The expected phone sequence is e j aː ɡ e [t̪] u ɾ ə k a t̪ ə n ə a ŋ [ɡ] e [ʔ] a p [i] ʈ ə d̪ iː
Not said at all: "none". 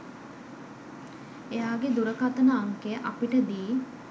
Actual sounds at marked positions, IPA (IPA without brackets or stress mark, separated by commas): d̪, k, ʔ, i